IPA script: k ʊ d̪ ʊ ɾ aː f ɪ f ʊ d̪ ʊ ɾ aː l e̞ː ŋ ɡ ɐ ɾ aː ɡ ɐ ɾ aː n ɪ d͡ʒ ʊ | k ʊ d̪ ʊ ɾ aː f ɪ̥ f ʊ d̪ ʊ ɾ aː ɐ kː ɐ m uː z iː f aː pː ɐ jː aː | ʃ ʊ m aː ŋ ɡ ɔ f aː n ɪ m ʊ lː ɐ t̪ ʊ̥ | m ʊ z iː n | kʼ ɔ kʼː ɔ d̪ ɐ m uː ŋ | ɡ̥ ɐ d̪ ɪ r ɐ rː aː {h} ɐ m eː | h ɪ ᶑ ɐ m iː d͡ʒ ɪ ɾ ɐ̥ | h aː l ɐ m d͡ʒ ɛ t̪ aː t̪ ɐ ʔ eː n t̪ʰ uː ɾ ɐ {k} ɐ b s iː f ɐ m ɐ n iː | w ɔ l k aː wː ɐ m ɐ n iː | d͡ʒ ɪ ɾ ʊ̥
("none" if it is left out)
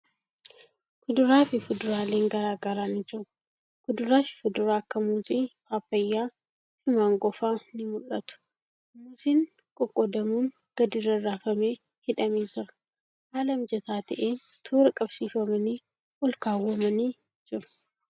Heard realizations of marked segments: f, kʼ

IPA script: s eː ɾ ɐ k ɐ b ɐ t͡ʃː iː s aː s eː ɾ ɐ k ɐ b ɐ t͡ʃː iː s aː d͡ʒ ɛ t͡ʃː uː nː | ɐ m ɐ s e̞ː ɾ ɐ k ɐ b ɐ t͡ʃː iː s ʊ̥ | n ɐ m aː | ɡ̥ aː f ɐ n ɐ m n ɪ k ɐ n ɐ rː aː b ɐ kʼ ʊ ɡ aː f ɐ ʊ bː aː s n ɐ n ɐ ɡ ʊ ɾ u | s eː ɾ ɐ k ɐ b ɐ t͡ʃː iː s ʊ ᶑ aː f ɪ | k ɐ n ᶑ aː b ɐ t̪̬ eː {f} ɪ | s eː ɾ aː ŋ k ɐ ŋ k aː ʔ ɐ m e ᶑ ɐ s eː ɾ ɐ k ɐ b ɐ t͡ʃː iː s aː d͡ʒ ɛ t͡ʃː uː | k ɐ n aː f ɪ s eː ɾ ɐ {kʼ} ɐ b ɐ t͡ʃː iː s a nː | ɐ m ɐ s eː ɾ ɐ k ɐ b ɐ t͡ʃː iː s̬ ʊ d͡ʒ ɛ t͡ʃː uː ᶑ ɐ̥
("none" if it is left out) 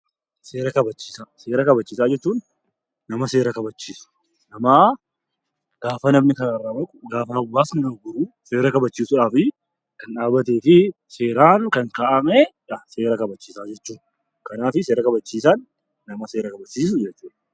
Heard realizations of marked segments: f, k

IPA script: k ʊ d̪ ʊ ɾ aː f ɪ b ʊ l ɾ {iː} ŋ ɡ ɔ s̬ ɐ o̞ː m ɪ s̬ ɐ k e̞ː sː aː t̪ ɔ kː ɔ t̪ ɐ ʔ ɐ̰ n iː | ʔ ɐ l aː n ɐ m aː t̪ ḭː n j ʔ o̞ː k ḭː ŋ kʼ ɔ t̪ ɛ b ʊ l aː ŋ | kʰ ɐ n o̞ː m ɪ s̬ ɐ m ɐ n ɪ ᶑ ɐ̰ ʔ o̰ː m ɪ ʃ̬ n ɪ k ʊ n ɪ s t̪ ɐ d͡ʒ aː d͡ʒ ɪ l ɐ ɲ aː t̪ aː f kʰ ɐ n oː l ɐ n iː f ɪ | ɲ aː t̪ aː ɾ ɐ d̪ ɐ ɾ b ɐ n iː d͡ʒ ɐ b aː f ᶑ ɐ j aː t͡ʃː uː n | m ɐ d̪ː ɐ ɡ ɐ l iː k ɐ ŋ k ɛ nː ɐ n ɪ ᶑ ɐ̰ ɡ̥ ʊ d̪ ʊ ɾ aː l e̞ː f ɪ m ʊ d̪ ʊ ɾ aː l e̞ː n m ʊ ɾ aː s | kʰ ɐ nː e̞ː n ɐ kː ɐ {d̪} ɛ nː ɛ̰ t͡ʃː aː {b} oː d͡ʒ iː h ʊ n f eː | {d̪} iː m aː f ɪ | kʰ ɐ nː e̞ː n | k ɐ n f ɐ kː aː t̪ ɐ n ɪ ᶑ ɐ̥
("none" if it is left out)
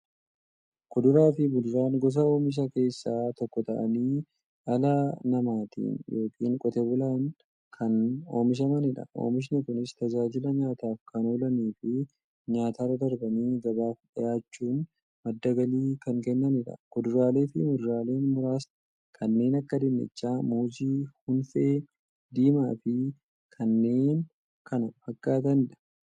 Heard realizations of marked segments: aː, d̪, m, d̪

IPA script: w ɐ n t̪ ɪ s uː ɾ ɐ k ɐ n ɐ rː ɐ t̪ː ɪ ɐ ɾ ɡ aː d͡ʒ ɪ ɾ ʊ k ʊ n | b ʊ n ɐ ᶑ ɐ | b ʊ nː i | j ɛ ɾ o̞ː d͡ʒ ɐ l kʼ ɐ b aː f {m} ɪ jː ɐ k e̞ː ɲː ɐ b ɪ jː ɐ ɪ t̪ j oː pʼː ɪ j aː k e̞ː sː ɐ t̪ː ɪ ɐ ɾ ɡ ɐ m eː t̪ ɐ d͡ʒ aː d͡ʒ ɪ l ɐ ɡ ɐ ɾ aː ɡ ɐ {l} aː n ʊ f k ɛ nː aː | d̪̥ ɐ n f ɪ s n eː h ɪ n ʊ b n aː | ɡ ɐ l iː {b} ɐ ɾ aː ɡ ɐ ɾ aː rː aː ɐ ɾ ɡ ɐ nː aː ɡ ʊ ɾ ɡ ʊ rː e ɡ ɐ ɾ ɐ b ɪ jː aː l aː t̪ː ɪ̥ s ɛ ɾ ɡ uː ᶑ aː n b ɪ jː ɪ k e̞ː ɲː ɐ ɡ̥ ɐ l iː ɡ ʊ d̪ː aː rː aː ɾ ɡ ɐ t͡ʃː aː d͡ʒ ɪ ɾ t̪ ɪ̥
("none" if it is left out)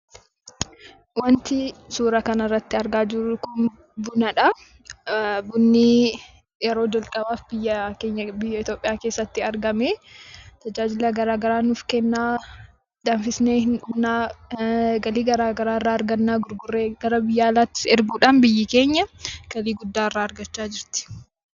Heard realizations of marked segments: b, ɾ, ɡ

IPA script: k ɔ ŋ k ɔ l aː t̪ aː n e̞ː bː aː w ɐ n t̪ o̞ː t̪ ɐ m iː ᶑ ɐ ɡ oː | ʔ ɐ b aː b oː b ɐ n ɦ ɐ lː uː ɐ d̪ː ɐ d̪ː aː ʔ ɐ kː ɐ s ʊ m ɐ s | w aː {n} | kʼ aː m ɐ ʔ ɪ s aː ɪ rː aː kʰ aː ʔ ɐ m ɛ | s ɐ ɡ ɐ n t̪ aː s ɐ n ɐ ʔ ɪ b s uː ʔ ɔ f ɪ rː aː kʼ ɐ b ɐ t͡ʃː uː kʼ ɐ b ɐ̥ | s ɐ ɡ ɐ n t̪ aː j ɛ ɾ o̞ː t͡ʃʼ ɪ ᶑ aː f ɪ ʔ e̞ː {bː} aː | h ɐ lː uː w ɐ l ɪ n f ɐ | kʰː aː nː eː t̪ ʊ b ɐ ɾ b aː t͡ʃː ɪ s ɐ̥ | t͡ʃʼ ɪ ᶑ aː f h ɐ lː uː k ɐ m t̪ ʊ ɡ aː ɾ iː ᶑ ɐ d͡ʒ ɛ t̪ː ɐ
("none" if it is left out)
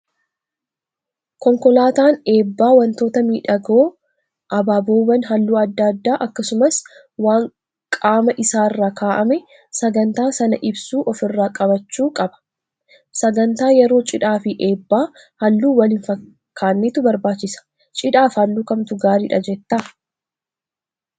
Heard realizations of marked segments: ŋ, bː

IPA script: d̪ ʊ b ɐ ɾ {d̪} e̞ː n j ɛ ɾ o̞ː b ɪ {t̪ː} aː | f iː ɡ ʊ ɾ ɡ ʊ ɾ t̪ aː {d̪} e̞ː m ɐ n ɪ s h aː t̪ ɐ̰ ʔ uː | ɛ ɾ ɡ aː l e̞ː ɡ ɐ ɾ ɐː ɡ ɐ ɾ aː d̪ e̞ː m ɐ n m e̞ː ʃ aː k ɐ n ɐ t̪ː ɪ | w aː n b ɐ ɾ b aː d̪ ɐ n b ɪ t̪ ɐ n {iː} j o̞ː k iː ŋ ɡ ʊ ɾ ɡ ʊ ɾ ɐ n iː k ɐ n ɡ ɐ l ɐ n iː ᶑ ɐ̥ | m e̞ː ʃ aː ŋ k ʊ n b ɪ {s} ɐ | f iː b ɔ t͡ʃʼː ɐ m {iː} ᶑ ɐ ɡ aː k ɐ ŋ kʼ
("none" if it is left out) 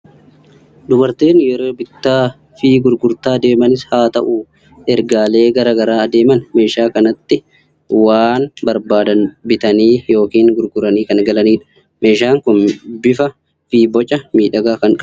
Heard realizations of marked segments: t̪, t̪ː, d̪, iː, f, iː

